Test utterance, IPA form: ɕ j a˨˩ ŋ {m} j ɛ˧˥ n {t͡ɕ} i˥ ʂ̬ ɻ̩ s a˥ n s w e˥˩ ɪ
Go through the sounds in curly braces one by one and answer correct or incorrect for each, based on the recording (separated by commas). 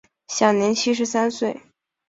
incorrect, incorrect